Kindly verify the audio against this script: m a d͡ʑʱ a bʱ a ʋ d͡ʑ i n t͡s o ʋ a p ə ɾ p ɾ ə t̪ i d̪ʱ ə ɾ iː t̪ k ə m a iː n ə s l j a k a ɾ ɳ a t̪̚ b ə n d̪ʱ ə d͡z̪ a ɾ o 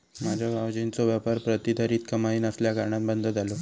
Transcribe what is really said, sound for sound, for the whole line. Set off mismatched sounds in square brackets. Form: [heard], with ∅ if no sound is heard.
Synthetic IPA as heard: m a d͡ʑʱ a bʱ a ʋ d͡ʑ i n t͡s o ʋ a p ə ɾ p ɾ ə t̪ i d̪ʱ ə ɾ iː t̪ k ə m a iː n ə s l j a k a ɾ ɳ a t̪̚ b ə n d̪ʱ ə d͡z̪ a [l] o